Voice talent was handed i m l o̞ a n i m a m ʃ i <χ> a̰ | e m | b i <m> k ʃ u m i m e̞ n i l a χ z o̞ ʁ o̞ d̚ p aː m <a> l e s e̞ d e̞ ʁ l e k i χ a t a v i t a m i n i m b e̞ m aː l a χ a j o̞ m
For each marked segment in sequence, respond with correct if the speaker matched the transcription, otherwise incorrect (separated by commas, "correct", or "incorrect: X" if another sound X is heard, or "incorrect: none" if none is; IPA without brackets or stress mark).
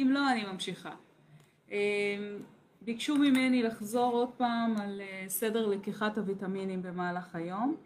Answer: correct, incorrect: none, correct